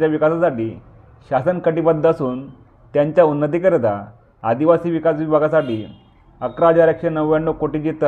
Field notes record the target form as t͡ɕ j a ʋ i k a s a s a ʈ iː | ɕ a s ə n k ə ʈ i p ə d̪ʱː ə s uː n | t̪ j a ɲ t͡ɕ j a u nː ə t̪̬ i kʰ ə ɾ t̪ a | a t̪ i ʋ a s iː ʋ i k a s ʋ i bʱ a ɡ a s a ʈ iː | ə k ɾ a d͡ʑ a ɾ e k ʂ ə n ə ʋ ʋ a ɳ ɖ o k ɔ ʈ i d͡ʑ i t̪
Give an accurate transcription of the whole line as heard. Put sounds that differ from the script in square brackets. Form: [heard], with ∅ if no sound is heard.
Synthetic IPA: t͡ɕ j a ʋ i k a s a s a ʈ iː | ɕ a s ə n k ə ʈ i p ə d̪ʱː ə s uː n | t̪ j a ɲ t͡ɕ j a u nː ə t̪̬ i [k] ə ɾ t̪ a | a [d̪] i ʋ a s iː ʋ i k a s ʋ i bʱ a ɡ a s a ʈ iː | ə k ɾ a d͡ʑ a ɾ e k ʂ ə n ə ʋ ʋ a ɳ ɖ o k [o] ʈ i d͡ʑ i t̪